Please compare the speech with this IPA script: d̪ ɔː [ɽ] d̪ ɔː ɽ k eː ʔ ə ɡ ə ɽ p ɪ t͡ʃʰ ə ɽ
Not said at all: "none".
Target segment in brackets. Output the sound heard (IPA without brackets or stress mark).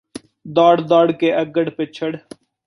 ɽ